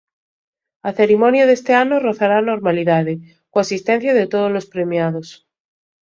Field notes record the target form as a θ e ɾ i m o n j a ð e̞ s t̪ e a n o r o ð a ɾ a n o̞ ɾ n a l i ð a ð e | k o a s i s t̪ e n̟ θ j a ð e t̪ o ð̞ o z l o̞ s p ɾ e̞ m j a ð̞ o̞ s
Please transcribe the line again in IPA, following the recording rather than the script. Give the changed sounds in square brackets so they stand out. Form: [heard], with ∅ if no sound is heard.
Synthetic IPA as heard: a θ e ɾ i m o n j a ð e̞ s t̪ e a n o r o [θ] a ɾ a n o̞ ɾ [m] a l i ð a ð e | k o a s i s t̪ e n̟ θ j a ð e t̪ o ð̞ o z l o̞ s p ɾ e̞ m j a ð̞ o̞ s